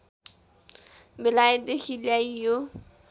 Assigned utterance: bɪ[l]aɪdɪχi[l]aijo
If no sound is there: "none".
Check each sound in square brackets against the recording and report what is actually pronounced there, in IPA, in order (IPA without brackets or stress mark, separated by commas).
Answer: l, l